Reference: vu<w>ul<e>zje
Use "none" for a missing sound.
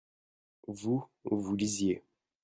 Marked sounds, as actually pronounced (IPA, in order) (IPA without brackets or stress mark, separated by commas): v, i